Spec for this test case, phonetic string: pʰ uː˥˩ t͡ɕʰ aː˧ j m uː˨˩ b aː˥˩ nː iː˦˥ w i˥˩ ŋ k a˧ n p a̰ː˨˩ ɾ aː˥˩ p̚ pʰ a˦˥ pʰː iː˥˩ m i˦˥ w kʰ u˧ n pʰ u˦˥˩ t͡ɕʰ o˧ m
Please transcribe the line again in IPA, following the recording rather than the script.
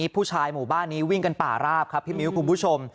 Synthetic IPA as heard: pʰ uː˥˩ t͡ɕʰ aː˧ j m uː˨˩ b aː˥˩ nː iː˦˥ w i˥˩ ŋ k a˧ n p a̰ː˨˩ ɾ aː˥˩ p̚ kʰ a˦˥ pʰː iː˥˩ m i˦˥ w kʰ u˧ n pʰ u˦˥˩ t͡ɕʰ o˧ m